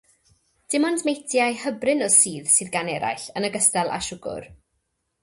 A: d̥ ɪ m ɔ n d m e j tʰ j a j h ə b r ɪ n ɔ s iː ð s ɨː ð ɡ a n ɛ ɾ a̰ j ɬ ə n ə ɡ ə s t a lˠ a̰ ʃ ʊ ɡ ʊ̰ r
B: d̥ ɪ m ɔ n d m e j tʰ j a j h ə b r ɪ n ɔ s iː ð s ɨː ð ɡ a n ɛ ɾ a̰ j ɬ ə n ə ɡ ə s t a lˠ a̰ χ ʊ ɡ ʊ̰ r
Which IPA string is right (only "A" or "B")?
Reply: A